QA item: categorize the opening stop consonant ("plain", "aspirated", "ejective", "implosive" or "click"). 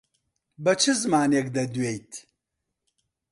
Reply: plain